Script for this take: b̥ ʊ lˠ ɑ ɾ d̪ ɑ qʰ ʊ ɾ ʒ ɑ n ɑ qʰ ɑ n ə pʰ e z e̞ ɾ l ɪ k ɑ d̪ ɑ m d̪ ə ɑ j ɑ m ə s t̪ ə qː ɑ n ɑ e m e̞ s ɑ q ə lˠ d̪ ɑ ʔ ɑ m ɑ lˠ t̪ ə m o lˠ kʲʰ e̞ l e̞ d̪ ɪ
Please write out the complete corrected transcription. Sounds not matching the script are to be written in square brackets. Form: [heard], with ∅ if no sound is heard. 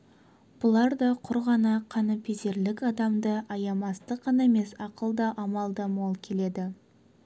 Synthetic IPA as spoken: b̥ ʊ lˠ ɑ ɾ d̪ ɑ qʰ ʊ ɾ [ʁ] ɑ n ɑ qʰ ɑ n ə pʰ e z e̞ ɾ l ɪ k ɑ d̪ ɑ m d̪ ə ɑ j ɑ m [ɑ] s t̪ ə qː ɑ n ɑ e m e̞ s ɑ q ə lˠ d̪ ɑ ʔ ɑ m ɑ lˠ [d̪] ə m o lˠ kʲʰ e̞ l e̞ d̪ ɪ

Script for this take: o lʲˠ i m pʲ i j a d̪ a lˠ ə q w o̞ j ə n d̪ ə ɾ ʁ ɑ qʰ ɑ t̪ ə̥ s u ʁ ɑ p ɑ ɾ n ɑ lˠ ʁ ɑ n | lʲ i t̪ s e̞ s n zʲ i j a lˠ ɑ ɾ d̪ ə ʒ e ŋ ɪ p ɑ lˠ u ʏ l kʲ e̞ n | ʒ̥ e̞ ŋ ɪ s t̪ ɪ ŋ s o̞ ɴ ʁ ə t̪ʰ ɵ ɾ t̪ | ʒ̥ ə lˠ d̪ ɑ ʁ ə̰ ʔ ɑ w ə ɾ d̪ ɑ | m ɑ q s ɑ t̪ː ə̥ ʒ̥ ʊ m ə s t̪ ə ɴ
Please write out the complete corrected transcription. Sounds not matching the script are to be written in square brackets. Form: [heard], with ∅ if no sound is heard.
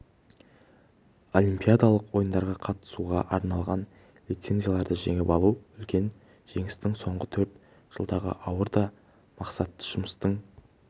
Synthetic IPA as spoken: o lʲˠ i m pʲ i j a d̪ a lˠ ə q w o̞ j ə n d̪ [ɑ] ɾ ʁ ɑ qʰ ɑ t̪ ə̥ s u ʁ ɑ [ʔ] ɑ ɾ n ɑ lˠ ʁ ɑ n | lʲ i t̪ s e̞ [∅] n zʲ i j a lˠ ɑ ɾ d̪ ə ʒ e ŋ ɪ p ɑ lˠ u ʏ l kʲ e̞ n | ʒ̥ e̞ ŋ ɪ s t̪ ɪ ŋ s o̞ ɴ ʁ ə t̪ʰ ɵ ɾ t̪ | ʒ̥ ə lˠ d̪ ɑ ʁ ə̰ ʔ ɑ w ə ɾ d̪ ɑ | m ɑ q s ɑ t̪ː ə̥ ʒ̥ ʊ m ə s t̪ ə ɴ

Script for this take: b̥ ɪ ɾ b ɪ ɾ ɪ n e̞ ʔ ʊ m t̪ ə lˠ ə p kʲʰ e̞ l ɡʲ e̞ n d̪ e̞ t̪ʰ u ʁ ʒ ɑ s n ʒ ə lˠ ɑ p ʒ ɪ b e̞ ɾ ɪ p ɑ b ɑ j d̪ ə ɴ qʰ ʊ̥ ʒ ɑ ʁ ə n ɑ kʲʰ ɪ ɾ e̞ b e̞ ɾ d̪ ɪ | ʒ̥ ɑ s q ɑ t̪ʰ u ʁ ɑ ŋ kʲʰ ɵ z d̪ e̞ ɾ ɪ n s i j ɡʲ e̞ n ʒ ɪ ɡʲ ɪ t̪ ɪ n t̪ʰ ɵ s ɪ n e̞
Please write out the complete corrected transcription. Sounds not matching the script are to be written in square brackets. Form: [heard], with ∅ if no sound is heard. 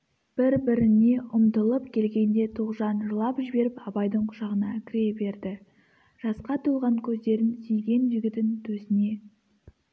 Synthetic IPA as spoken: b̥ ɪ ɾ b ɪ ɾ ɪ n e̞ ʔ ʊ m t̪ ə lˠ ə p kʲʰ e̞ l ɡʲ e̞ n d̪ e̞ t̪ʰ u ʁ ʒ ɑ [∅] n ʒ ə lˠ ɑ p ʒ ɪ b e̞ ɾ ɪ p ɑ b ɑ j d̪ ə ɴ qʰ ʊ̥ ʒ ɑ ʁ ə n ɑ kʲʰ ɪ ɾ e̞ b e̞ ɾ d̪ ɪ | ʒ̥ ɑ s q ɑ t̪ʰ u ʁ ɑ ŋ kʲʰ ɵ z d̪ e̞ ɾ ɪ n s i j ɡʲ e̞ n ʒ ɪ ɡʲ ɪ t̪ ɪ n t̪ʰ ɵ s ɪ n e̞

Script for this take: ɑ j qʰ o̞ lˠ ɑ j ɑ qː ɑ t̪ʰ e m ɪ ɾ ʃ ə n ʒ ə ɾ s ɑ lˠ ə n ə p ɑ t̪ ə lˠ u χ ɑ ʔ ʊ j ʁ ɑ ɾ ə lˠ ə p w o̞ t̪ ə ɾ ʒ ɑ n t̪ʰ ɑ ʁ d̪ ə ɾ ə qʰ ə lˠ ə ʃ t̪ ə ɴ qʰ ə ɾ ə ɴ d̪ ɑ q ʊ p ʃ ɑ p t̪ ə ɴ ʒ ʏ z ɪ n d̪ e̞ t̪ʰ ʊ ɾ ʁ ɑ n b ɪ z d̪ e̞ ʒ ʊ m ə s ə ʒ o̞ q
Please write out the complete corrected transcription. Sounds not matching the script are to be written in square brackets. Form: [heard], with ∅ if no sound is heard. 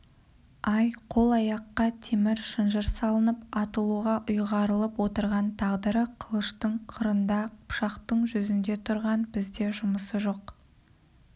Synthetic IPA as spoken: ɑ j qʰ o̞ lˠ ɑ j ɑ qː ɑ t̪ʰ e m ɪ ɾ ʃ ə n ʒ ə ɾ s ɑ lˠ ə n ə p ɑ t̪ ə lˠ u [ʁ] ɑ ʔ ʊ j ʁ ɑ ɾ ə lˠ ə p w o̞ t̪ ə ɾ [ʁ] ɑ n t̪ʰ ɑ ʁ d̪ ə ɾ ə qʰ ə lˠ ə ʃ t̪ ə ɴ qʰ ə ɾ ə [n] d̪ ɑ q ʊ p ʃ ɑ [q] t̪ ə ɴ ʒ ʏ z ɪ n d̪ e̞ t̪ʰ ʊ ɾ ʁ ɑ n b ɪ z d̪ e̞ ʒ ʊ m ə s ə ʒ o̞ q

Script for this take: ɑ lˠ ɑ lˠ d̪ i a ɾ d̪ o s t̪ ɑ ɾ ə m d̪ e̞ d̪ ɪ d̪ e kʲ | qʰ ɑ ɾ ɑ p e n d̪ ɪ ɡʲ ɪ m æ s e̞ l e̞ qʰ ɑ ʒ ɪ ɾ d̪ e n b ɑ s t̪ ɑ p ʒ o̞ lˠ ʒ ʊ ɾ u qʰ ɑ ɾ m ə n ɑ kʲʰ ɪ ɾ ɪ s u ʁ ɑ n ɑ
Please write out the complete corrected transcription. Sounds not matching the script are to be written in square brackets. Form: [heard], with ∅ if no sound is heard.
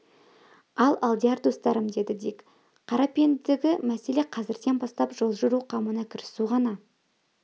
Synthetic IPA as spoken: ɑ lˠ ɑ lˠ d̪ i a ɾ d̪ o s t̪ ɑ ɾ ə m d̪ e̞ d̪ ɪ d̪ e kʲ | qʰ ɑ ɾ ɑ p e n d̪ ɪ ɡʲ ɪ m æ s e̞ l e̞ qʰ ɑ [z] ɪ ɾ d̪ e n b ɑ s t̪ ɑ p ʒ o̞ lˠ ʒ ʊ ɾ u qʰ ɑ [∅] m ə n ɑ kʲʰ ɪ ɾ ɪ s u ʁ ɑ n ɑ

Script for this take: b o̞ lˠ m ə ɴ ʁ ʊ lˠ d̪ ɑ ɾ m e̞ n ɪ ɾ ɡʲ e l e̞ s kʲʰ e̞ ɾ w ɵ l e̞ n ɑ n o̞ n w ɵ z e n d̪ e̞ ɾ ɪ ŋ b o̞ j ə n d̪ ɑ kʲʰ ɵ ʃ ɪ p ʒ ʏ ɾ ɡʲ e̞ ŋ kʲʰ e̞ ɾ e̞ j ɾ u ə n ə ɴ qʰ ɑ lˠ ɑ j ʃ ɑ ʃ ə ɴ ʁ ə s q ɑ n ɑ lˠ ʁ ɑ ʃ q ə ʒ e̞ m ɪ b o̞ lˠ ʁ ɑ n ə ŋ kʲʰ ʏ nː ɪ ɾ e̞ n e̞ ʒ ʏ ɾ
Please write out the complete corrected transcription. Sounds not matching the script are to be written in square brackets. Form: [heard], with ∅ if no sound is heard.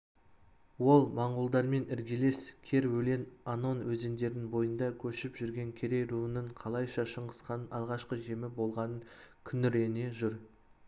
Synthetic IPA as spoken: [w] o̞ lˠ m [ɑ] ɴ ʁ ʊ lˠ d̪ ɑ ɾ m e̞ n ɪ ɾ ɡʲ e l e̞ s kʲʰ e̞ ɾ w ɵ l e̞ n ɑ n o̞ n w ɵ z e n d̪ e̞ ɾ ɪ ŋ b o̞ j ə n d̪ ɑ kʲʰ ɵ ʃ ɪ p ʒ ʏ ɾ ɡʲ e̞ ŋ kʲʰ e̞ ɾ e̞ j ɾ u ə n ə ɴ qʰ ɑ lˠ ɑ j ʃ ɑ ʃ ə ɴ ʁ ə s q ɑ n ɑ lˠ ʁ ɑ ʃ q ə ʒ e̞ m ɪ b o̞ lˠ ʁ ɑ n ə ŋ kʲʰ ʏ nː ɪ ɾ e̞ n e̞ ʒ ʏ ɾ

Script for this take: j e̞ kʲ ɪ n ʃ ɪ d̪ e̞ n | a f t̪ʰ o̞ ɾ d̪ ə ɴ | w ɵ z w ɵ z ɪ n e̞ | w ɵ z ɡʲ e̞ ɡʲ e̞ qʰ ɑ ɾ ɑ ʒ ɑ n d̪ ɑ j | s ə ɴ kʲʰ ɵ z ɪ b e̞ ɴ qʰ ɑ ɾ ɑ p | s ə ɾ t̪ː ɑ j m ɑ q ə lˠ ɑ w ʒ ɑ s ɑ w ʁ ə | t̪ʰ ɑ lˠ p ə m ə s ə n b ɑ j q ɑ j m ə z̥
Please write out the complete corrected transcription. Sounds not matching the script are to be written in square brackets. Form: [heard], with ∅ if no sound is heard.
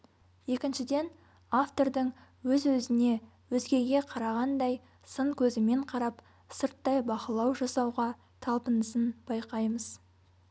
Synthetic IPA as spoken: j e̞ kʲ ɪ n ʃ ɪ d̪ e̞ n | a f [t̪] o̞ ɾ d̪ ə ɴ | w ɵ z w ɵ z ɪ n e̞ | w ɵ z ɡʲ e̞ ɡʲ e̞ qʰ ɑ ɾ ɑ [ʁ] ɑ n d̪ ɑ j | s ə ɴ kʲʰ ɵ z ɪ [m] e̞ ɴ qʰ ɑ ɾ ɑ p | s ə ɾ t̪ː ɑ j [b] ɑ q ə lˠ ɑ w ʒ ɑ s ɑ w ʁ [ɑ] | t̪ʰ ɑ lˠ p ə [n] ə s ə n b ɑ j q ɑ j m ə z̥

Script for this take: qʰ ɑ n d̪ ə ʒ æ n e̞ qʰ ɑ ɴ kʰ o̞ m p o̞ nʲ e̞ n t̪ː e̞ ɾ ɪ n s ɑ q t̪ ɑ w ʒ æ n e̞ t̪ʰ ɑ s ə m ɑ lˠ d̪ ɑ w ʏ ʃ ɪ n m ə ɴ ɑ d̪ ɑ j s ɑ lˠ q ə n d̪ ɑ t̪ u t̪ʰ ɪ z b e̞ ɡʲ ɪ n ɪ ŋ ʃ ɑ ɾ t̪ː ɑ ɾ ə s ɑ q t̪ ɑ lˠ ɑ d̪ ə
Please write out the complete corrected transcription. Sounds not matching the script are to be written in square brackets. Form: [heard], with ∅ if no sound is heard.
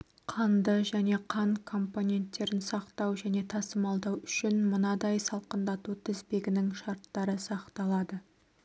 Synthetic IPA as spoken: qʰ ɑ n d̪ ə ʒ æ n e̞ qʰ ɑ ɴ kʰ o̞ m p o̞ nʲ e̞ n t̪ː e̞ ɾ ɪ n s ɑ q t̪ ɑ w ʒ æ n e̞ t̪ʰ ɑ s ə m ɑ lˠ d̪ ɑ w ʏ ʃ ɪ n m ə [n] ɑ d̪ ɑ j s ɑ lˠ q ə n d̪ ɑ t̪ u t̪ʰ ɪ z b e̞ ɡʲ ɪ n ɪ ŋ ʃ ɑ ɾ t̪ː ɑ ɾ ə s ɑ q t̪ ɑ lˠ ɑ d̪ ə

